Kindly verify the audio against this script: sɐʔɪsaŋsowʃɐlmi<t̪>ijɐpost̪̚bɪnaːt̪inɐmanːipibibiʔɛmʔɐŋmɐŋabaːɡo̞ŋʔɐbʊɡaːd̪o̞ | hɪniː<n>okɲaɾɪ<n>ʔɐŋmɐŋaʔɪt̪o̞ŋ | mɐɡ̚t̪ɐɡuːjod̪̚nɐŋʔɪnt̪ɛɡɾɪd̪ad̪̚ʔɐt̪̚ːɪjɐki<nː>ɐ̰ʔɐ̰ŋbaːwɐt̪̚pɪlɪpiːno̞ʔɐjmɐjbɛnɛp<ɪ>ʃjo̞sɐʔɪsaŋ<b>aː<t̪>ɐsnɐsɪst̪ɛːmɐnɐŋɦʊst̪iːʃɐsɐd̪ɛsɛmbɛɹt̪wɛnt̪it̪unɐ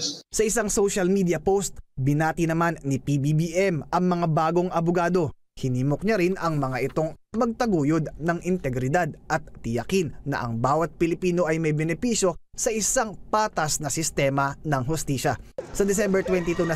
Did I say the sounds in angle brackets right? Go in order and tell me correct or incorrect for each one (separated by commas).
incorrect, incorrect, correct, correct, incorrect, incorrect, correct